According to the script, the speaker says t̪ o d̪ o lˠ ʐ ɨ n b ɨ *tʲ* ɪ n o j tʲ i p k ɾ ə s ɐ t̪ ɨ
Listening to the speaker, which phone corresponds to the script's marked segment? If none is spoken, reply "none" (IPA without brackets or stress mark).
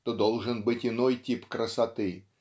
tʲ